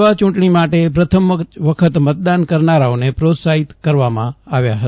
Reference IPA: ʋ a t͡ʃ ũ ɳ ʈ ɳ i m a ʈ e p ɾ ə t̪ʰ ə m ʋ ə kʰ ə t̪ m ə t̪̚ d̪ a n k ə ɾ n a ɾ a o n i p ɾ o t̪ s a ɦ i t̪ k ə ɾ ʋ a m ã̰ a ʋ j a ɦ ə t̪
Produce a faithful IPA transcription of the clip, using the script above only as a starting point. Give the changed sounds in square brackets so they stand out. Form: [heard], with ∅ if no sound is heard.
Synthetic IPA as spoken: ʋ a t͡ʃ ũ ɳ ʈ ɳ i m a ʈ e p ɾ ə t̪ʰ ə m ʋ ə kʰ ə t̪ m ə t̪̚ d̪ a n k ə ɾ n a ɾ a o n [e] p ɾ o t̪ s a ɦ i t̪ k ə ɾ ʋ a m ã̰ a ʋ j a ɦ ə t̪